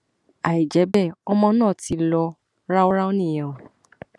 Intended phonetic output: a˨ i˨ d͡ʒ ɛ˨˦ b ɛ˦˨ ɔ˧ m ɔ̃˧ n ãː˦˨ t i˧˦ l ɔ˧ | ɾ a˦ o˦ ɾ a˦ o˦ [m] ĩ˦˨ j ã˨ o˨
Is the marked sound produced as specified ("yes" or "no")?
no